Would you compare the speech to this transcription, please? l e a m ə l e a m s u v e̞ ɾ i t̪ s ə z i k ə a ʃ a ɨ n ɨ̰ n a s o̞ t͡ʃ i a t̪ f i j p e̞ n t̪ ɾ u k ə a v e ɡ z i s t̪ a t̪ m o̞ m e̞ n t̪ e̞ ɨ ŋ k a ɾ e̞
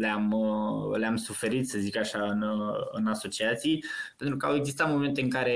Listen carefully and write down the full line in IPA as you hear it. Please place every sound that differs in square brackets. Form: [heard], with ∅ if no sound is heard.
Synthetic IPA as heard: l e a m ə l e a m s u [f] e̞ ɾ i t̪ s ə z i k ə a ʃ a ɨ n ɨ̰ n a s o̞ t͡ʃ i a t̪ [s] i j p e̞ n t̪ ɾ u k ə a [w] e ɡ z i s t̪ a t̪ m o̞ m e̞ n t̪ e̞ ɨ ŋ k a ɾ e̞